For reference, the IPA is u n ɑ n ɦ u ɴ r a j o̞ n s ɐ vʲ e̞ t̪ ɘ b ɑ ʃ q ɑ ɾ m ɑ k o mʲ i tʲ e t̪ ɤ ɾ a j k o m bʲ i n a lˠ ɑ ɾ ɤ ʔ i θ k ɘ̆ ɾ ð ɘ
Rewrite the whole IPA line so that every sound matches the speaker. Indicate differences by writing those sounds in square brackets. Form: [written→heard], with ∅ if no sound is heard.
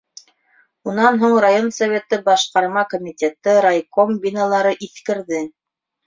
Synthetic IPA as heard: u n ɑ n ɦ u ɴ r a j o̞ n s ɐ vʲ e̞ t̪ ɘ b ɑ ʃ q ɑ ɾ m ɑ k o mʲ i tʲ e t̪ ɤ ɾ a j k o m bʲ i n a lˠ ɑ ɾ ɤ ʔ i θ k ɘ̆ ɾ ð ɘ